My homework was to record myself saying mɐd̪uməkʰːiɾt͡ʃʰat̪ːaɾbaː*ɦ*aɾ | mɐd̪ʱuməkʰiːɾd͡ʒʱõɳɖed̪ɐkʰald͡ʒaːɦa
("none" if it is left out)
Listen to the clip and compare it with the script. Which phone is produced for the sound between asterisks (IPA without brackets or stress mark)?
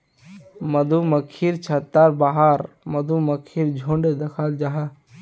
ɦ